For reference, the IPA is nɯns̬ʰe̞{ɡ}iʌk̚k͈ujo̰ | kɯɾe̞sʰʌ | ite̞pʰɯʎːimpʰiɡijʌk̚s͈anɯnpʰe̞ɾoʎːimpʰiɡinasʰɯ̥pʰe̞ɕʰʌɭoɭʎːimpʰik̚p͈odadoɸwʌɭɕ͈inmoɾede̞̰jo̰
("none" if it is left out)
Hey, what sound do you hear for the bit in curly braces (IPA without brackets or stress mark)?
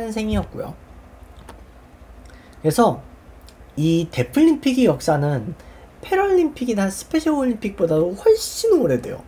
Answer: ŋ